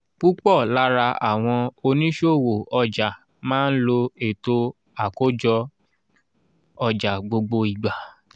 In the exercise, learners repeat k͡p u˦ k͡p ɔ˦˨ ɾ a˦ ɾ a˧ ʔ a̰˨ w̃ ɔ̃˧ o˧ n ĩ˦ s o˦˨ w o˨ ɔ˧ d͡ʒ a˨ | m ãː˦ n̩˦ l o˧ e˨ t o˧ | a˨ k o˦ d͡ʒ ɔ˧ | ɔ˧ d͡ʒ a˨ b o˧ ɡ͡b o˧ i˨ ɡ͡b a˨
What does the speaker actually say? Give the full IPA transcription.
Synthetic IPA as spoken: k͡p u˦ k͡p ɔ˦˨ l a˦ ɾ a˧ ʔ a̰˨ w̃ ɔ̃˧ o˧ n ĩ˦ ʃ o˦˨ w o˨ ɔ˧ d͡ʒ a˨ | m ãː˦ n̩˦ l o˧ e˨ t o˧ | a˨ k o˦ d͡ʒ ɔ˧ | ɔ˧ d͡ʒ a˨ ɡ͡b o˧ ɡ͡b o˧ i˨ ɡ͡b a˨